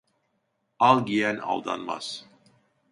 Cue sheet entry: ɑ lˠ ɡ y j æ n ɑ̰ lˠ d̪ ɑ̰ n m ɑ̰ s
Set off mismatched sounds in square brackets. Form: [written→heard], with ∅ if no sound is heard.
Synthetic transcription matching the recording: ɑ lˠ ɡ [y→i] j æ n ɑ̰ lˠ d̪ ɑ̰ n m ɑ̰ s